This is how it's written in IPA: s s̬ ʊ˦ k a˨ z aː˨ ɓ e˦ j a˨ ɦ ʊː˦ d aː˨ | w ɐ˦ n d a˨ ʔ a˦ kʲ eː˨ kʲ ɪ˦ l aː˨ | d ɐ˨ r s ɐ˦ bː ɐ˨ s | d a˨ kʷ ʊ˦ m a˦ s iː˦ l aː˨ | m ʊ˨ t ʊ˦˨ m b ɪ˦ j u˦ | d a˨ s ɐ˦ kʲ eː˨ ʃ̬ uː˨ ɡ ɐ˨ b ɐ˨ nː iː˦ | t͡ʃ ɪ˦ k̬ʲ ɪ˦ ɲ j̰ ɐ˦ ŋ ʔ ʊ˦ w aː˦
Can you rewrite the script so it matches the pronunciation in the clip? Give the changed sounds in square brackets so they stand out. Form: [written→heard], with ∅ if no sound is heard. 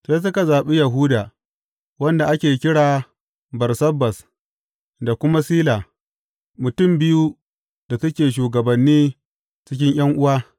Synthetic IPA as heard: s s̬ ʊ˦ k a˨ z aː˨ ɓ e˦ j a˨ ɦ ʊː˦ d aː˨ | w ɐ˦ n d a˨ ʔ a˦ kʲ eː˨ kʲ ɪ˦ [l→ɽ] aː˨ | [d→b] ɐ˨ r s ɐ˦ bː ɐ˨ s | d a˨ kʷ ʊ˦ m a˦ s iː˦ l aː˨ | m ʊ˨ t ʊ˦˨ m b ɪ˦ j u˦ | d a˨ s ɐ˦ kʲ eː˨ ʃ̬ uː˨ ɡ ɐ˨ b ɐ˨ nː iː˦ | t͡ʃ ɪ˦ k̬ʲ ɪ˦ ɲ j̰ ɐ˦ ŋ ʔ ʊ˦ w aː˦